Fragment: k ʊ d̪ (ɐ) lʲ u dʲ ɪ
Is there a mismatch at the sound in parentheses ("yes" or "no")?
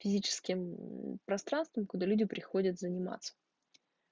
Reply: yes